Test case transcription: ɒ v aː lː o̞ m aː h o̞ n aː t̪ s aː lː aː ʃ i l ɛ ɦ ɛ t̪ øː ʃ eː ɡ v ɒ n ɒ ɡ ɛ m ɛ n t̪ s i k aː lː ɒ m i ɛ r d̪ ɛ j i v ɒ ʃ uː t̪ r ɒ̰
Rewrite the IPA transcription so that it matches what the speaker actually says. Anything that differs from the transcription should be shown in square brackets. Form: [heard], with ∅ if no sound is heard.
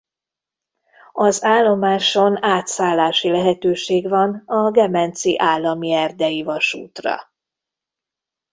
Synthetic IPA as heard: ɒ [z] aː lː o̞ m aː [ʃ] o̞ n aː t̪ s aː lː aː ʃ i l ɛ ɦ ɛ t̪ øː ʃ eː ɡ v ɒ n ɒ ɡ ɛ m ɛ n t̪ s i [ʔ] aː lː ɒ m i ɛ r d̪ ɛ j i v ɒ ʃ uː t̪ r ɒ̰